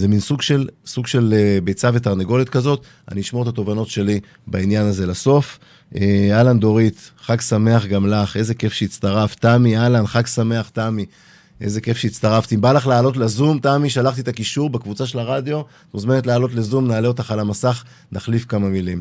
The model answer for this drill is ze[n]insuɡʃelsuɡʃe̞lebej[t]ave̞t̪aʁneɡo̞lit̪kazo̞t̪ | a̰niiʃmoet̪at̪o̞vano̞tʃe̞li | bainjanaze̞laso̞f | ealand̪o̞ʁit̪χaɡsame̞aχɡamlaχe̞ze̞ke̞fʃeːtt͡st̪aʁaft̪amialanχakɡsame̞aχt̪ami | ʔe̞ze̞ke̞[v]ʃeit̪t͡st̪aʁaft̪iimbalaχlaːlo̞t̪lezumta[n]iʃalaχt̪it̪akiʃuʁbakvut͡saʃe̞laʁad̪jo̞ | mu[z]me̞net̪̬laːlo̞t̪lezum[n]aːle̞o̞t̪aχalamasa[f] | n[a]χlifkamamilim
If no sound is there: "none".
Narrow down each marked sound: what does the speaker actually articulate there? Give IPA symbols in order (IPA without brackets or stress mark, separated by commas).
m, t͡s, f, m, z, n, χ, a